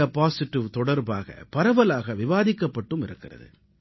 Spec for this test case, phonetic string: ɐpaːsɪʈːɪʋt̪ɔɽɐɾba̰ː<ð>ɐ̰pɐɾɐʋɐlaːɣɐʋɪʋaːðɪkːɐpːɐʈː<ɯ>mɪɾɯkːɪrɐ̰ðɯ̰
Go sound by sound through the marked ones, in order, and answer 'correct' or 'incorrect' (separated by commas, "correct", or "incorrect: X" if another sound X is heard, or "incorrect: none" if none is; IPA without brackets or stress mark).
incorrect: ɣ, correct